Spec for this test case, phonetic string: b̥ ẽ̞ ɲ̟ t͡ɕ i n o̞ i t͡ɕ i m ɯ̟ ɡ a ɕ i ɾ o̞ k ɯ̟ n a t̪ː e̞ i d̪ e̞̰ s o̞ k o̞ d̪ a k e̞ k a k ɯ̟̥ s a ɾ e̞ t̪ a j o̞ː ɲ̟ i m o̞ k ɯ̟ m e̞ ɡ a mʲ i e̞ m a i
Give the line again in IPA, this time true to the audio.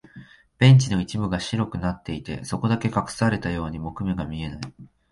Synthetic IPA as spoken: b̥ ẽ̞ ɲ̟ t͡ɕ i n o̞ i t͡ɕ i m ɯ̟ ɡ a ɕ i ɾ o̞ k ɯ̟ n a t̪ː e̞ i t̪ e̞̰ s o̞ k o̞ d̪ a k e̞ k a k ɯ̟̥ s a ɾ e̞ t̪ a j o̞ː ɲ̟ i m o̞ k ɯ̟ m e̞ ɡ a mʲ i e̞ n a i